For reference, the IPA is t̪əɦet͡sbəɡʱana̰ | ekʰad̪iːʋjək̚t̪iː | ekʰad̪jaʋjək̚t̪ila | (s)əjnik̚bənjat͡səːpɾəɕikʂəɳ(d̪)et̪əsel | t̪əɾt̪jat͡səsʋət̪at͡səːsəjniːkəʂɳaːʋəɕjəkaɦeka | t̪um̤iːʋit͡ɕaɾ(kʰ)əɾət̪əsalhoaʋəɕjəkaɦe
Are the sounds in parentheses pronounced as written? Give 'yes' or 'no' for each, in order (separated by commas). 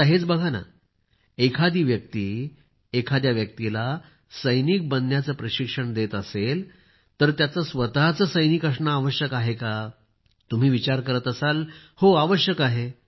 yes, yes, no